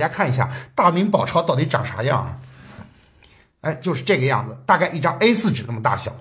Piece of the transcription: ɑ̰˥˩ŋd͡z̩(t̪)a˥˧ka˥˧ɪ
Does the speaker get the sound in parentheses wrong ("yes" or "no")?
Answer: no